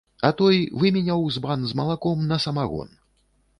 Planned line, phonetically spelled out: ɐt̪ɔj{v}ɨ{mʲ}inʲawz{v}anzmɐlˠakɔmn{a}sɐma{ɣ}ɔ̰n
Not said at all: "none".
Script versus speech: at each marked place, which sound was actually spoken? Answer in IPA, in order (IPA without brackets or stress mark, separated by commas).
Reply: v, mʲ, b, ɐ, ɣ